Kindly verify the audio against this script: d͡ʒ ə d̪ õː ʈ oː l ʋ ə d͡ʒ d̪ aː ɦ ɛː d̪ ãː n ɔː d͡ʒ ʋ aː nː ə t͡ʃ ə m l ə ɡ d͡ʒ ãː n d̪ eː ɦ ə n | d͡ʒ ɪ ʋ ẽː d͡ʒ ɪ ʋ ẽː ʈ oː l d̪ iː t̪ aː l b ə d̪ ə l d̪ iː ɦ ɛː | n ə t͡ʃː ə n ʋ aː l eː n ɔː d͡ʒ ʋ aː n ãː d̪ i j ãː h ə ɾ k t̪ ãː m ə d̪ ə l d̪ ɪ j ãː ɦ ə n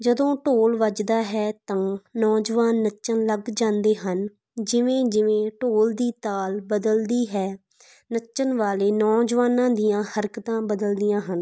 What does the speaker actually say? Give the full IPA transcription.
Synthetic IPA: d͡ʒ ə d̪ õː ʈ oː l ʋ ə d͡ʒ d̪ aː ɦ ɛː t̪ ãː n ɔː d͡ʒ ʋ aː nː ə t͡ʃ ə n l ə ɡ d͡ʒ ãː n d̪ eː ɦ ə n | d͡ʒ ɪ ʋ ẽː d͡ʒ ɪ ʋ ẽː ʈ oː l d̪ iː t̪ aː l b ə d̪ ə l d̪ iː ɦ ɛː | n ə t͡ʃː ə n ʋ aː l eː n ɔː d͡ʒ ʋ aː n ãː d̪ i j ãː h ə ɾ k t̪ ãː b ə d̪ ə l d̪ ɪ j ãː ɦ ə n